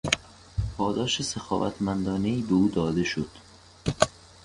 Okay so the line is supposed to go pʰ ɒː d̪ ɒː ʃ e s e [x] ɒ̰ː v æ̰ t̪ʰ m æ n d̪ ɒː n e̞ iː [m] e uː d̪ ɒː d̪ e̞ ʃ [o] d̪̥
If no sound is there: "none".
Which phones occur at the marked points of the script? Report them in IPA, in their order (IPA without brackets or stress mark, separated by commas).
x, b, o